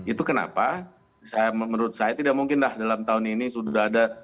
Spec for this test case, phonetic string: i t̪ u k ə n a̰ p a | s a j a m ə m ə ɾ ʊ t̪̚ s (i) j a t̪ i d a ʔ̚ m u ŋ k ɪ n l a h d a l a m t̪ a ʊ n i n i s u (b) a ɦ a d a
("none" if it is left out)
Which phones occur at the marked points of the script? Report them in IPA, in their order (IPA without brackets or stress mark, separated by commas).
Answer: a, d